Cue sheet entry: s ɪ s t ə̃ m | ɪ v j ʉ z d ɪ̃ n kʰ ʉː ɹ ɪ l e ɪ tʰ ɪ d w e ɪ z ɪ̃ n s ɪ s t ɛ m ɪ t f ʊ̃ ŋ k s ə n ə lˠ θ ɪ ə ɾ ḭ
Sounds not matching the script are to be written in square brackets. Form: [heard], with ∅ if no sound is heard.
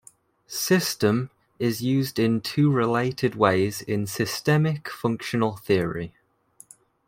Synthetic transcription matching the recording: s ɪ s t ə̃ m | ɪ [z] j [ʉː] z d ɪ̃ n [tʰ] ʉː ɹ ɪ l e ɪ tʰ ɪ d w e ɪ z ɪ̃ n s ɪ s t ɛ m ɪ [k] f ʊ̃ ŋ k [ʃ] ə n ə lˠ θ ɪ ə [ɹ] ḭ